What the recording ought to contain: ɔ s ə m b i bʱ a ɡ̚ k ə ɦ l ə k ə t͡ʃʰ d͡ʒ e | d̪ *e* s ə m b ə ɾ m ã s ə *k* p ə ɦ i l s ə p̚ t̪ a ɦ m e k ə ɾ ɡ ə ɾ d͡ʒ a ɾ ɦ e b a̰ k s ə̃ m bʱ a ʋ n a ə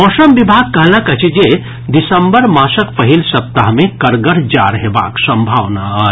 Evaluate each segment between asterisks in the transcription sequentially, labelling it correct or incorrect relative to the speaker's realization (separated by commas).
incorrect, correct